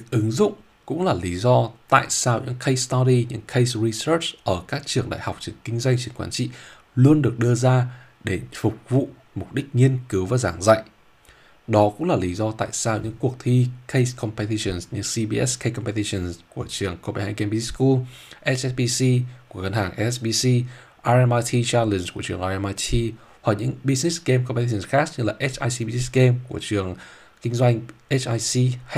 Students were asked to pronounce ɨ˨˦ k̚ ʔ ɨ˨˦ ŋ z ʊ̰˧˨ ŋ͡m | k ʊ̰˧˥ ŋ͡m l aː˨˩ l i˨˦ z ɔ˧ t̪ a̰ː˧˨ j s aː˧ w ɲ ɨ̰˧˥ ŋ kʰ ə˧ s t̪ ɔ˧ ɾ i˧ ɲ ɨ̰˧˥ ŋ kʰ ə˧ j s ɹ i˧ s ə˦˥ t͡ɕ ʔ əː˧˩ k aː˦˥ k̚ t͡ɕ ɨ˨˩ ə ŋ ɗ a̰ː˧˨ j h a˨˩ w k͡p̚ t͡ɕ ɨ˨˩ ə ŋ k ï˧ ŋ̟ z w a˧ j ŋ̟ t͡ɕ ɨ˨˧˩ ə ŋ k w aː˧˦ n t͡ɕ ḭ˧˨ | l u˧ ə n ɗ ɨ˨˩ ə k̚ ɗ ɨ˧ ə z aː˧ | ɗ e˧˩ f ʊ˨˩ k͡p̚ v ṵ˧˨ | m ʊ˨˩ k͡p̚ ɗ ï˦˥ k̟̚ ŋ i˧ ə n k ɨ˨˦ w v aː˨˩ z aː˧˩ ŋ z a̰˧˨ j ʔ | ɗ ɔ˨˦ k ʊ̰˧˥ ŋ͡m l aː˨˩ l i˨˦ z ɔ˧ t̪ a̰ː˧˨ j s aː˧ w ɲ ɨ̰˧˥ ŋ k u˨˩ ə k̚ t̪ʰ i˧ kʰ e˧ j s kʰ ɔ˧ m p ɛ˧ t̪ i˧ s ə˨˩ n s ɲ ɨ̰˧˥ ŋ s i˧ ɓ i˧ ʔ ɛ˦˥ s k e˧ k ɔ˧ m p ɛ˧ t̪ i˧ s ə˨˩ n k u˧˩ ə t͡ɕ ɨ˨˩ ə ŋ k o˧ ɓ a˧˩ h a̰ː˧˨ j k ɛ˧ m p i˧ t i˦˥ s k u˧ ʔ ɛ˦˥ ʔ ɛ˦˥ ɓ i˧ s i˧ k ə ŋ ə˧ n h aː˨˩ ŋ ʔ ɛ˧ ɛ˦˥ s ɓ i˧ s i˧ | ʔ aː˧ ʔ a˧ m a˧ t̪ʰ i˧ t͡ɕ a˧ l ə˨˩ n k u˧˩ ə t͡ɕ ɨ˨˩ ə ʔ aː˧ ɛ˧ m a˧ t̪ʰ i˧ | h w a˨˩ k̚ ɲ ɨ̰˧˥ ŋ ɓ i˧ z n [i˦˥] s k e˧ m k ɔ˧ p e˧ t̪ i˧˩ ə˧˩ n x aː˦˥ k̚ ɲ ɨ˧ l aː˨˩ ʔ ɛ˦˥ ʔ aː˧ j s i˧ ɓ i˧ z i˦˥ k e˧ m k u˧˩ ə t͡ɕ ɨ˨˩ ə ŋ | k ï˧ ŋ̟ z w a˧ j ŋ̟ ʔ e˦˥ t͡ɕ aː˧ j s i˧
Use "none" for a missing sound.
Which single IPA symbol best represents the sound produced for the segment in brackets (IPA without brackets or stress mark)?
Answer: i˦˥